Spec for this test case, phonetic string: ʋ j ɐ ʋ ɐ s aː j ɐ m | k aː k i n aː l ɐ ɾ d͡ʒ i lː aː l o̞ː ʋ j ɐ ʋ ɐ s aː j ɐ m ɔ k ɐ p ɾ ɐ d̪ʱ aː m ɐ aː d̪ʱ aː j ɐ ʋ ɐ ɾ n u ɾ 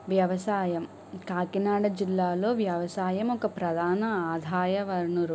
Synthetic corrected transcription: ʋ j ɐ ʋ ɐ s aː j ɐ m | k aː k i n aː ɽ ɐ d͡ʒ i lː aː l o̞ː ʋ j ɐ ʋ ɐ s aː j ɐ m ɔ k ɐ p ɾ ɐ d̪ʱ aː n ɐ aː d̪ʱ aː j ɐ ʋ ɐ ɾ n u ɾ

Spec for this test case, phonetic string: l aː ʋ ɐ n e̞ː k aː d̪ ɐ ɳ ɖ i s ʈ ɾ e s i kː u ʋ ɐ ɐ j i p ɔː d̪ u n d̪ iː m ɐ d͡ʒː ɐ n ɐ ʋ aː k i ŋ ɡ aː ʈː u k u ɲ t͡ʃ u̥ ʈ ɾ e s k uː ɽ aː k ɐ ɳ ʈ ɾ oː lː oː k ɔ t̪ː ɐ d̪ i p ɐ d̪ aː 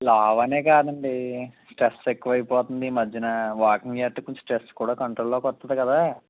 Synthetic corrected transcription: l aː ʋ ɐ n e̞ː k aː d̪ ɐ ɳ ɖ i s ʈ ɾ e s e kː u ʋ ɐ ɐ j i p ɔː t̪ u n d̪ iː m ɐ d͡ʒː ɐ n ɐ ʋ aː k i ŋ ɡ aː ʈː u k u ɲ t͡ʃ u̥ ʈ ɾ e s k uː ɽ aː k ɐ ɳ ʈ ɾ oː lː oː k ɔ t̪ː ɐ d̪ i k ɐ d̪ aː

